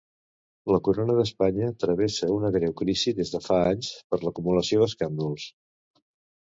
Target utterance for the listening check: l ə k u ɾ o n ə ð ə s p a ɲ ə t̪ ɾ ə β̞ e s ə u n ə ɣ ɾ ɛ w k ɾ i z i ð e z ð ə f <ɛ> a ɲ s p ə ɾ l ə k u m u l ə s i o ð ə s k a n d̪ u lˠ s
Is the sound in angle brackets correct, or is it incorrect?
incorrect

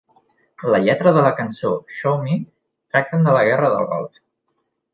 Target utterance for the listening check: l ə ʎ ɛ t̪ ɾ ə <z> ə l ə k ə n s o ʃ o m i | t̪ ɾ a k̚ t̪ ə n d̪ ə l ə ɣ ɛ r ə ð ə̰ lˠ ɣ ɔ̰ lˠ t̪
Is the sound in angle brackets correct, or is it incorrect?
incorrect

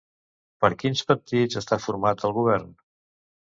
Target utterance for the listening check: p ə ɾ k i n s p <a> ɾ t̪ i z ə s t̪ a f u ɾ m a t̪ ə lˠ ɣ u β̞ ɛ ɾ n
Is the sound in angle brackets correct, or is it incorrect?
incorrect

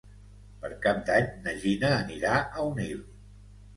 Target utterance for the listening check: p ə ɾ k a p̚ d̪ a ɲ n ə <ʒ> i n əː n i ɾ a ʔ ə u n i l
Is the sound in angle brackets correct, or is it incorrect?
correct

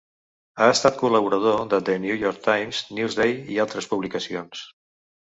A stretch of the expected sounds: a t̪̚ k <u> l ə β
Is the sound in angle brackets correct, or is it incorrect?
correct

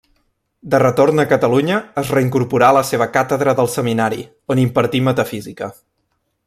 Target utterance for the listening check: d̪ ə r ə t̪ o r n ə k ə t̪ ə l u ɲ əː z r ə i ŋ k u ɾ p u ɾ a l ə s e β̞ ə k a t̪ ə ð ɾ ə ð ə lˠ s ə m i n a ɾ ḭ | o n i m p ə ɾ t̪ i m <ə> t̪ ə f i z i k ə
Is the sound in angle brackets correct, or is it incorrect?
correct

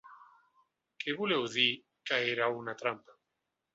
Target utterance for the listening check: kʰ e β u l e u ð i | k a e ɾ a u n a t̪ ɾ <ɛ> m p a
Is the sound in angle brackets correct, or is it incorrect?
incorrect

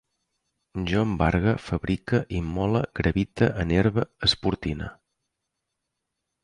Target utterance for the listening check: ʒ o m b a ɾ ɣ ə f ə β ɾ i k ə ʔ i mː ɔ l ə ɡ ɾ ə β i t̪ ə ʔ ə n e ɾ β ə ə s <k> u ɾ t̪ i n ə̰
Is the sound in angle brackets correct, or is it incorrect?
incorrect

